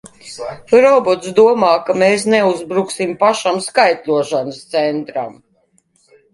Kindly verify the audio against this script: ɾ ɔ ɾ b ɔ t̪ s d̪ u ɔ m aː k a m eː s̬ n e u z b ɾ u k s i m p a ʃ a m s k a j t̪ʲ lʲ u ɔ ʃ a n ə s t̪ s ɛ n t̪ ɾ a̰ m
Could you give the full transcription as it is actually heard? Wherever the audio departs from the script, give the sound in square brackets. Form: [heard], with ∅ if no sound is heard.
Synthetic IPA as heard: ɾ ɔ [∅] b ɔ t̪ s d̪ u ɔ m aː k a m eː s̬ n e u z b ɾ u k s i m p a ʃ a m s k a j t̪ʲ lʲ u ɔ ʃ a n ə s t̪ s ɛ n t̪ ɾ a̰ m